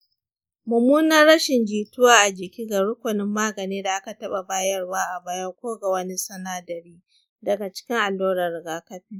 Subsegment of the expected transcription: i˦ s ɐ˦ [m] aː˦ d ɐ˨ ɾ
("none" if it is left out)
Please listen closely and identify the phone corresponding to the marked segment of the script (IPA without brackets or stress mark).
n